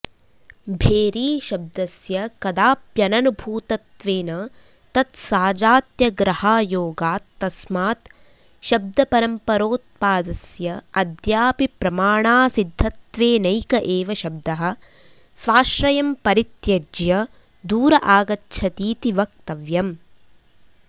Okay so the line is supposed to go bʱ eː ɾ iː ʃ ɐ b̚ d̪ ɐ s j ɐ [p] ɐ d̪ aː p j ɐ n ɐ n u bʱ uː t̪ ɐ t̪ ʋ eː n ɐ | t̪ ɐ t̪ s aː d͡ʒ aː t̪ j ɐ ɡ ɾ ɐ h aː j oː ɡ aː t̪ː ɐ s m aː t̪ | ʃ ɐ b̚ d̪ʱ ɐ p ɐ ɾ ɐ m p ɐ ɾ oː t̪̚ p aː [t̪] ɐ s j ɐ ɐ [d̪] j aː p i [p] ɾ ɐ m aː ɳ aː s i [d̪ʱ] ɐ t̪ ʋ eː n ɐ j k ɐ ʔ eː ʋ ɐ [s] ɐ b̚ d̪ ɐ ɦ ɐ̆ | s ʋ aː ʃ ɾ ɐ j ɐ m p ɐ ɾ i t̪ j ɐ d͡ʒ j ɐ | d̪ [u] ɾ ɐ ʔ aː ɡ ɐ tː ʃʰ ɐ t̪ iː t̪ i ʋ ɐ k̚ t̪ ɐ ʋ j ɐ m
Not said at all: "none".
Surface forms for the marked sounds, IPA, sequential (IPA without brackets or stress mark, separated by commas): k, d̪, d̪, p, d̪ʱː, ʃ, uː